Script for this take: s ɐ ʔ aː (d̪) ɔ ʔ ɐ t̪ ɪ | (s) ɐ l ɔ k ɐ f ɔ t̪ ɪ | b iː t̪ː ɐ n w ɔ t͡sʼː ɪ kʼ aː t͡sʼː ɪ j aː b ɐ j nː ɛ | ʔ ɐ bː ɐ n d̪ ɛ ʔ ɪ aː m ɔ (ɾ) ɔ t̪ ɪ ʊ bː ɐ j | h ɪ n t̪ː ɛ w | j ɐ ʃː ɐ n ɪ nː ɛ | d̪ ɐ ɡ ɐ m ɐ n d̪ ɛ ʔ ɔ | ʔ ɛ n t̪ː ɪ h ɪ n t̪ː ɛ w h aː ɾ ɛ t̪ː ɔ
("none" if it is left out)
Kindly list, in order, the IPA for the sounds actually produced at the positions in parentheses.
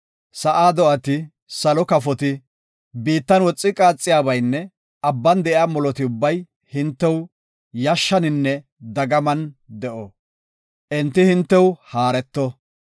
d̪, s, l

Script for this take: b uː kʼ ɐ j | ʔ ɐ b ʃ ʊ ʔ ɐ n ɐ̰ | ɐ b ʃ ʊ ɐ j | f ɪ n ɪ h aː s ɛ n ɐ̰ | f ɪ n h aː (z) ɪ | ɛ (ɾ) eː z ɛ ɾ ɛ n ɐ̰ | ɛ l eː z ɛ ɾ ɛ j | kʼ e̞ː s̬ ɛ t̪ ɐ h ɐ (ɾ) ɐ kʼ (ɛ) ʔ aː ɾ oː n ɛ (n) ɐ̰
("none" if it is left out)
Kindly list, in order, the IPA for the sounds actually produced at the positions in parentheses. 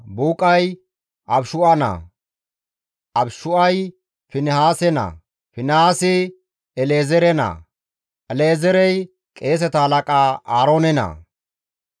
s, l, l, a, n

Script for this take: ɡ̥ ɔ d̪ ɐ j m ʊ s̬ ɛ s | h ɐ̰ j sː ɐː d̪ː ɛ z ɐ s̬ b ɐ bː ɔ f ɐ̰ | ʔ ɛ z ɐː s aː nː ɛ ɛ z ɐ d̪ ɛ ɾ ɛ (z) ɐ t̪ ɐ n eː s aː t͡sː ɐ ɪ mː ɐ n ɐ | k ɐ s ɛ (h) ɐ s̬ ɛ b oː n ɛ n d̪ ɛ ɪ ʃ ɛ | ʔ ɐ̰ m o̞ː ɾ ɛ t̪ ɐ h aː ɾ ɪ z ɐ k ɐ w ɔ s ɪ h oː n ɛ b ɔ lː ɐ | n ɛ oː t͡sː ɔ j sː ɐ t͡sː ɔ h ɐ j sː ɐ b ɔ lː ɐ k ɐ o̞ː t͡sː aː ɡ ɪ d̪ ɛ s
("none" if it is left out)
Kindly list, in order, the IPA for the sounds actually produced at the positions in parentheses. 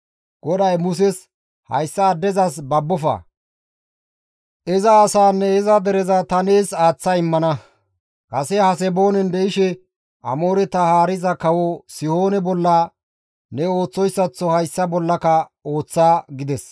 z, h

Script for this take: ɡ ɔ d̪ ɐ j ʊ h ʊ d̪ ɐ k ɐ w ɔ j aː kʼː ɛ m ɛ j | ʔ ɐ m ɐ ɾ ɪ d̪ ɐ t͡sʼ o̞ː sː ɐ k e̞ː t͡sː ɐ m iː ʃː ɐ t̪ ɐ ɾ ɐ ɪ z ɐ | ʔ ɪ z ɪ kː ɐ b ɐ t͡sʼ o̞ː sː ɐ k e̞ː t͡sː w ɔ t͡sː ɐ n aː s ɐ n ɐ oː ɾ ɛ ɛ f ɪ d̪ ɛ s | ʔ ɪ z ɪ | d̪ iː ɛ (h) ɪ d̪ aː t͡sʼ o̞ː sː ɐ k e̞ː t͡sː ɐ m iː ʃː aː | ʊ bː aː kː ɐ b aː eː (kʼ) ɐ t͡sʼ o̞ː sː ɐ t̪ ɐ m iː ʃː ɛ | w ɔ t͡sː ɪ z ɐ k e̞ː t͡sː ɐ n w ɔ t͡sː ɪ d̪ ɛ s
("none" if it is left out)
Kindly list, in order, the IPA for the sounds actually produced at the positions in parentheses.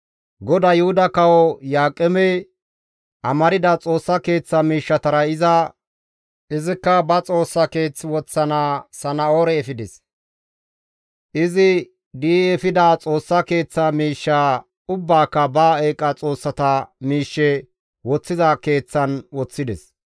f, kʼ

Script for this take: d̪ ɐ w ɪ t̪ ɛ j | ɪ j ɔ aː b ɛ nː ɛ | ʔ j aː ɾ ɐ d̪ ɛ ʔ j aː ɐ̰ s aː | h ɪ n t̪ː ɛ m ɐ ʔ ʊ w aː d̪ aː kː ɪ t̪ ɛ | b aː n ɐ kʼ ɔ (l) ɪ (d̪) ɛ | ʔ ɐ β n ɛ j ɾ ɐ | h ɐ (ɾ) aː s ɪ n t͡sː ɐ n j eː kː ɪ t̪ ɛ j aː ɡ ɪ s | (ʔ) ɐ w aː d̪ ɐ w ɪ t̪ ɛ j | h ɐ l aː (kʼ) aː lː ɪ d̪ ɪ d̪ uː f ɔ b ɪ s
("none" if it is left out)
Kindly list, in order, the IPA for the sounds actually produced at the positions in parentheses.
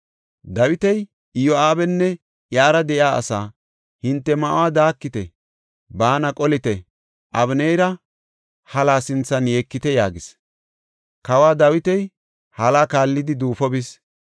l, t̪, l, k, k

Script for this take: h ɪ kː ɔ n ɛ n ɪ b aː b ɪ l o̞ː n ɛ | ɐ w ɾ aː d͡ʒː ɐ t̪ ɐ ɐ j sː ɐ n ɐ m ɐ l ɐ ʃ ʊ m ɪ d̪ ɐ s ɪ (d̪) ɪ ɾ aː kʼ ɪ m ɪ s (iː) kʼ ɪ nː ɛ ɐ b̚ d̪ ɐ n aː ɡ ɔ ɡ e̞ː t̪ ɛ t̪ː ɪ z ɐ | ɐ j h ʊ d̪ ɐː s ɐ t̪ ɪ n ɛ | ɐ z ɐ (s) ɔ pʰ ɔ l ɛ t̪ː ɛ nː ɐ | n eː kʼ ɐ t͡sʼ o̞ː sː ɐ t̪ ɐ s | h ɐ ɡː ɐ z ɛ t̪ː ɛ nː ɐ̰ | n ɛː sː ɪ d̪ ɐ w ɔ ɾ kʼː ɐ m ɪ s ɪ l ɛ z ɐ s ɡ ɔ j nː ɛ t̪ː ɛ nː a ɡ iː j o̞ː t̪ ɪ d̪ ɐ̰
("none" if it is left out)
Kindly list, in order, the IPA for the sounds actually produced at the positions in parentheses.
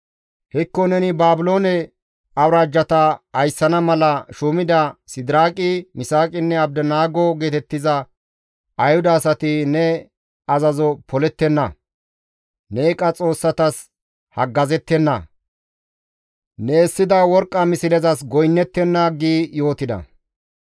d̪, aː, z

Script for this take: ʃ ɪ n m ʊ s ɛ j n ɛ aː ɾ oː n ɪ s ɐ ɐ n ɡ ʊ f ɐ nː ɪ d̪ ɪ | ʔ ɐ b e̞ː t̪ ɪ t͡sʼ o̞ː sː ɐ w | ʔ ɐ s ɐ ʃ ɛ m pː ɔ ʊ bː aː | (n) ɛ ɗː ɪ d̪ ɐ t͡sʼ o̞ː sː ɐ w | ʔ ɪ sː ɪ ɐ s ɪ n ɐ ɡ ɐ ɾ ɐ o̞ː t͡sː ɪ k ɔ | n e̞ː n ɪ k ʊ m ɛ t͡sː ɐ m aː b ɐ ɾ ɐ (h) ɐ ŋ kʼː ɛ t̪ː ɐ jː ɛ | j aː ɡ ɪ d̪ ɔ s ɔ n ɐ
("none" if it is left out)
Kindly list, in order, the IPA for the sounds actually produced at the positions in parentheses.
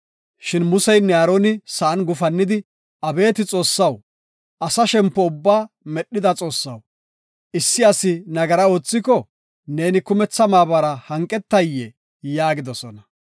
m, h

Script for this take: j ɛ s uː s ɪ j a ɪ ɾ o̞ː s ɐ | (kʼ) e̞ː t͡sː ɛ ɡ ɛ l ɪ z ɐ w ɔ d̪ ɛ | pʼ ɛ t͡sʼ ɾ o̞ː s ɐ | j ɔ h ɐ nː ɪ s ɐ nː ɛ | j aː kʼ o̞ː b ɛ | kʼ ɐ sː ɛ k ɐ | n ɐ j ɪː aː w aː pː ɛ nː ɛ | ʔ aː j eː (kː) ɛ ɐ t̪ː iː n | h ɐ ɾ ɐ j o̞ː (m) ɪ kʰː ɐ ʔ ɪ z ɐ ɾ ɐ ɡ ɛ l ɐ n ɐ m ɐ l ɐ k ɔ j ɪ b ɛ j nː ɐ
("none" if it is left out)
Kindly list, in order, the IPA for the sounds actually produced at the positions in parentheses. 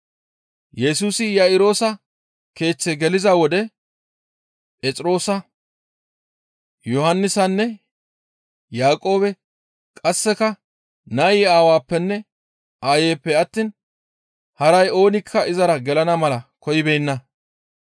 k, pː, n

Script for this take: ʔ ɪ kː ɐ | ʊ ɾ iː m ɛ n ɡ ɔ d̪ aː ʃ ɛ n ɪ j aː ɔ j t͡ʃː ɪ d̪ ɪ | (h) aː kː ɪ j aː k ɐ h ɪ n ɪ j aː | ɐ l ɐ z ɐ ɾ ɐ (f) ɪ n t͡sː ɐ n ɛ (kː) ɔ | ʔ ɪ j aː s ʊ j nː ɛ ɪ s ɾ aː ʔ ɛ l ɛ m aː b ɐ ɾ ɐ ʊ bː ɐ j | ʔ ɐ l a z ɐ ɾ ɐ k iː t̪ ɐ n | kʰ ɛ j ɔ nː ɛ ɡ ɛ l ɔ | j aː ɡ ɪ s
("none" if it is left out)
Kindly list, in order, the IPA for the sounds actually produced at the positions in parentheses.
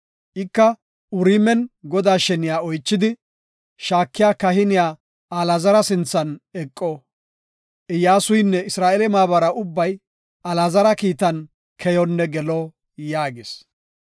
ʃ, s, kʼː

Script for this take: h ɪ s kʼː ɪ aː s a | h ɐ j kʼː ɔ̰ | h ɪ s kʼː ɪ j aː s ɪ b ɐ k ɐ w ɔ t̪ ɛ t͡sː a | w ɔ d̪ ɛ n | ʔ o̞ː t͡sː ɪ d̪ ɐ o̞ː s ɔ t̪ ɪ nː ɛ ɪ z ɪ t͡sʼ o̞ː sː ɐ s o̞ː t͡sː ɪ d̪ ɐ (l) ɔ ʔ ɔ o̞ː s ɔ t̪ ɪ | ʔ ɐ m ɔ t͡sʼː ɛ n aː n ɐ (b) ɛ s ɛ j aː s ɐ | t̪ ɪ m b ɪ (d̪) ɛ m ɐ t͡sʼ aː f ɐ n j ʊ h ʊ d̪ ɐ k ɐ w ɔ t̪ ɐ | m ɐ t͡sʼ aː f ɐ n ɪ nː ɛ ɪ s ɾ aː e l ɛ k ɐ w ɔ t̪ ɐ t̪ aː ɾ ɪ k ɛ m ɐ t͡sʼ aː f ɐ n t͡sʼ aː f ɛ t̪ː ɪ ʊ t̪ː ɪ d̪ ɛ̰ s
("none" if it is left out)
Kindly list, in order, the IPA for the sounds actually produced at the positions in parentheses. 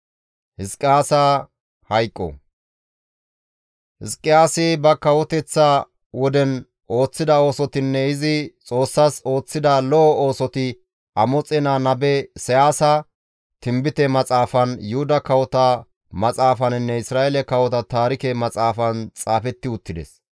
l, b, t̪

